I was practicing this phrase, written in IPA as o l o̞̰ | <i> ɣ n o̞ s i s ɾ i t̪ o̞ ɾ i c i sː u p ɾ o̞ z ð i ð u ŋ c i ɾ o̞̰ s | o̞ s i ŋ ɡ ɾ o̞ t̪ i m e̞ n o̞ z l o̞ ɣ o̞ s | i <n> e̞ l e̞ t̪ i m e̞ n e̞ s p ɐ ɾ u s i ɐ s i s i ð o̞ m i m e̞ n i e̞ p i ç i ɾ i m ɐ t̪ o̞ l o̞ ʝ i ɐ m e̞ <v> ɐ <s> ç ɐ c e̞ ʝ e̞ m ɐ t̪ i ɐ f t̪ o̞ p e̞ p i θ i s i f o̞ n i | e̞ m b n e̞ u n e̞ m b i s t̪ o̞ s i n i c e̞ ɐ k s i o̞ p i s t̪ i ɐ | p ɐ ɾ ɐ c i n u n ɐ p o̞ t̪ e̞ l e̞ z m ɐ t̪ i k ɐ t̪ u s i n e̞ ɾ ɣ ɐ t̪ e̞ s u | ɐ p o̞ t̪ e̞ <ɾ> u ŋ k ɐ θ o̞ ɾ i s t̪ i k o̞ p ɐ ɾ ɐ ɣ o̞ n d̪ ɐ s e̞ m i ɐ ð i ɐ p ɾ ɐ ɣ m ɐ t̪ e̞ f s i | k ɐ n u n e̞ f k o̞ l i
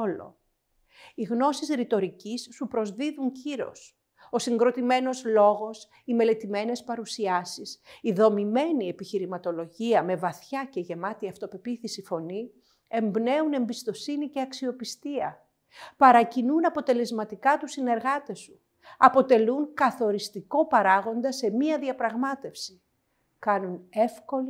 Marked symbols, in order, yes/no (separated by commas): yes, no, yes, no, no